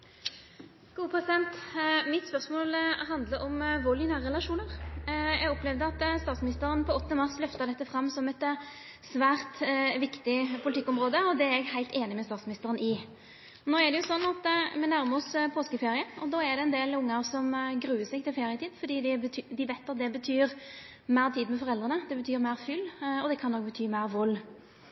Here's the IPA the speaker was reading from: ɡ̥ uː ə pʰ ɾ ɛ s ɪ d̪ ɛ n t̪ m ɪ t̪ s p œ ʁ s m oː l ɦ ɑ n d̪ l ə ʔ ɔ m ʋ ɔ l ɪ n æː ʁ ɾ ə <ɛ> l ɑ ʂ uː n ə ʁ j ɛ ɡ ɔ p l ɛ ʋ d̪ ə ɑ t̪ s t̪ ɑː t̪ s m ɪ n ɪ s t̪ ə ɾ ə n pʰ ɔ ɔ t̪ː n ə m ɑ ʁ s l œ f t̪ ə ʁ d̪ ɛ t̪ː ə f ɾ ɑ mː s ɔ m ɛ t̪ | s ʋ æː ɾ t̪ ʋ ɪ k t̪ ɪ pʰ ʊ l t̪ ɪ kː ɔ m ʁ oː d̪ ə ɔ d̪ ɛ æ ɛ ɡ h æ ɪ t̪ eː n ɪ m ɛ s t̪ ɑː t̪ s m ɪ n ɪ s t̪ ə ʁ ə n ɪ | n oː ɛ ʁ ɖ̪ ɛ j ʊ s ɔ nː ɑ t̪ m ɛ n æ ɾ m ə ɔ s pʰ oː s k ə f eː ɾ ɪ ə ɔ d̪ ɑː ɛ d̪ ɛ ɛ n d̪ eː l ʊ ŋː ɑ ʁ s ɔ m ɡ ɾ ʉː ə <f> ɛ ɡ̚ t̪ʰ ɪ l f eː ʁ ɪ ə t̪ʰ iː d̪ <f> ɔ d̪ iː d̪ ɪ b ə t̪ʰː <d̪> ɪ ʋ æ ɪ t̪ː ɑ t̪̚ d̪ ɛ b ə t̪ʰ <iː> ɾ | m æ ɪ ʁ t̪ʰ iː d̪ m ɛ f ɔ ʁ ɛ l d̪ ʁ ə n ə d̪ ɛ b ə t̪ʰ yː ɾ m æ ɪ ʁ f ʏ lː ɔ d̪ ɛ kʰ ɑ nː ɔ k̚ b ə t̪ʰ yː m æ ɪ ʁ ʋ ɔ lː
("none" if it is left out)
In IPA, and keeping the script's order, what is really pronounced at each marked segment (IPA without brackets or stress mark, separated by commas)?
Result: ɛ, s, f, d̪, yː